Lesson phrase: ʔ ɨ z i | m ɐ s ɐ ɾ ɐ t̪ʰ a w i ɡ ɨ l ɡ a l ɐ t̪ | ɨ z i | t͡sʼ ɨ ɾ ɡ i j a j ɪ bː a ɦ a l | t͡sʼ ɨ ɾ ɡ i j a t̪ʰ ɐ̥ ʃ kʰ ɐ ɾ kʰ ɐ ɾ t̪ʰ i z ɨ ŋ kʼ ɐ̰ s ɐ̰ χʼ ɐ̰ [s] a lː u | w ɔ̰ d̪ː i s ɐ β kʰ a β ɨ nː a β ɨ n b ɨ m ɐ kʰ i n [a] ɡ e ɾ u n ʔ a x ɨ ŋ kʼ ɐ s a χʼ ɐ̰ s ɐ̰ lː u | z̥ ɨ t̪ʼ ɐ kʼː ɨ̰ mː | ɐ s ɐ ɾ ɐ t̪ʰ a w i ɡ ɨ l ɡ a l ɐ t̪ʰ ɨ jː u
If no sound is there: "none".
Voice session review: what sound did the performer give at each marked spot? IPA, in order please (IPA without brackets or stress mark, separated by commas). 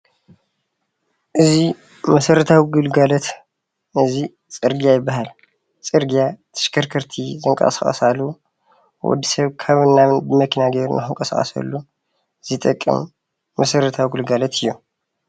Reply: s, a